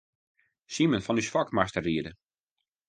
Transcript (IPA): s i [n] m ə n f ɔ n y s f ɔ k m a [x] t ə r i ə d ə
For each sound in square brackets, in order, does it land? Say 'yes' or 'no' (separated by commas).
no, no